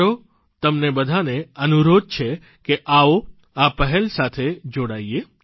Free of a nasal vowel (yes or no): yes